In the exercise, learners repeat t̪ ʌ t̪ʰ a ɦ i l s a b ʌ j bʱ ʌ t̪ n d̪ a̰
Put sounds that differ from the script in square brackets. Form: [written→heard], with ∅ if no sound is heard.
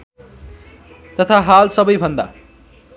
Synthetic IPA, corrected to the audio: t̪ ʌ t̪ʰ a ɦ [i→a] l s [a→ʌ] b ʌ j bʱ ʌ [t̪→∅] n d̪ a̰